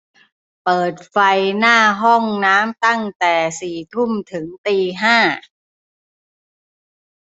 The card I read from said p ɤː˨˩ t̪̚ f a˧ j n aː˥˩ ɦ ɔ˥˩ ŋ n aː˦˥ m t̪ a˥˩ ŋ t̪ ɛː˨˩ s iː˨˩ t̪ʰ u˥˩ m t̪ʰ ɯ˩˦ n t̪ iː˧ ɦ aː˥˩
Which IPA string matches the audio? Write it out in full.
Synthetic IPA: p ɤː˨˩ t̪̚ f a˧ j n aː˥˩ ɦ ɔ˥˩ ŋ n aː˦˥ m t̪ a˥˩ ŋ t̪ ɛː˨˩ s iː˨˩ t̪ʰ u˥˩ m t̪ʰ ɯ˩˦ ŋ t̪ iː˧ ɦ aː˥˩